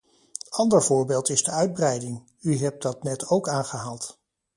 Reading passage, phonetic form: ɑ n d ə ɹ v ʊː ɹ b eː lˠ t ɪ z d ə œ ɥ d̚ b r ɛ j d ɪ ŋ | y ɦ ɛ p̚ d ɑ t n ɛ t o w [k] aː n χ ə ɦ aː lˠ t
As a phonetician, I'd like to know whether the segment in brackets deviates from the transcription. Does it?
no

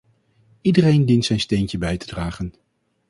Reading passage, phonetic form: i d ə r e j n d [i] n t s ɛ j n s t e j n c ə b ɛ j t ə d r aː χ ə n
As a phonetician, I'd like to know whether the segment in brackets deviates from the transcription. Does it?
no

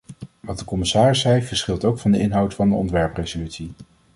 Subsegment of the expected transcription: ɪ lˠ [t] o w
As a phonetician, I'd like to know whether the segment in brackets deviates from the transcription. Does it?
no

